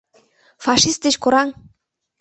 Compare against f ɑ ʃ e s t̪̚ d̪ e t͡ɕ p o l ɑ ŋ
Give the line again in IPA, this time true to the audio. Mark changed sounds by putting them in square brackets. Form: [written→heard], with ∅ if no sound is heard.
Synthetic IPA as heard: f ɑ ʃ [e→i] s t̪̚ d̪ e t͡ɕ [p→k] o [l→ɾ] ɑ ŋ